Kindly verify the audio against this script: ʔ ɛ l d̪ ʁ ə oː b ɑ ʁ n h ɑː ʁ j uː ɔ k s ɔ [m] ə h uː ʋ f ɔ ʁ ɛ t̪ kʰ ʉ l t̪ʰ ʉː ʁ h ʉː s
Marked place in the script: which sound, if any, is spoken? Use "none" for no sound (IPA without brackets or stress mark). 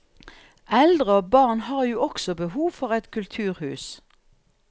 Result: b